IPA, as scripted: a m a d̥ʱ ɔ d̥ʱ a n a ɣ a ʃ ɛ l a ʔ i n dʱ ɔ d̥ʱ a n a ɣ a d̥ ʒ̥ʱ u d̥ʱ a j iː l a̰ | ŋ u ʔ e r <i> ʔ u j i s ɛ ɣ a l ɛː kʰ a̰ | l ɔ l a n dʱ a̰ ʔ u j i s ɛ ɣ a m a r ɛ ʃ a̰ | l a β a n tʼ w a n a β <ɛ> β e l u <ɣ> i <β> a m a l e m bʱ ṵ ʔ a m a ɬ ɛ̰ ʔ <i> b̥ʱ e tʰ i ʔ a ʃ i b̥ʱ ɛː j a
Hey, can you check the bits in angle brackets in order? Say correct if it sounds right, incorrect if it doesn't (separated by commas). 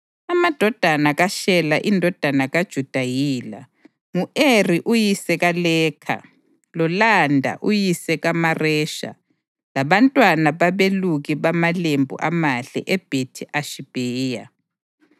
correct, incorrect, correct, correct, incorrect